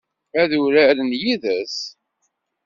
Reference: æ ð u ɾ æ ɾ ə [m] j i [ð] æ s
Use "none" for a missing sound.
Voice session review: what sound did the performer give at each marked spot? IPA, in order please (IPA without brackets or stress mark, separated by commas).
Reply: n, ð